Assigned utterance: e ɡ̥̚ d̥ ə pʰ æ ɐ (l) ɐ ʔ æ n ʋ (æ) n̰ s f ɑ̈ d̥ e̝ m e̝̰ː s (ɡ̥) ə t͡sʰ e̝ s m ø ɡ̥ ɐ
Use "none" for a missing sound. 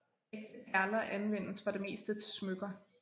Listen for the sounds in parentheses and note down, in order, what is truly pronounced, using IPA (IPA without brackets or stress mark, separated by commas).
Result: l, e, d̥